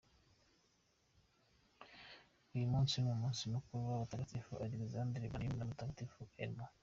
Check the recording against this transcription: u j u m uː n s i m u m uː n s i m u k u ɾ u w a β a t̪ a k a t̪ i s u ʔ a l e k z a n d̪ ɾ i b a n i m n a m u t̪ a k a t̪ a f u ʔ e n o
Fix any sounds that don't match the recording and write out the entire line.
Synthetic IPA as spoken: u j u m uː n s i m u m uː n s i m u k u ɾ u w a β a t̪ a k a t̪ i f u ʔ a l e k z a n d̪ ɾ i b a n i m n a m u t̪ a k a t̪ i f u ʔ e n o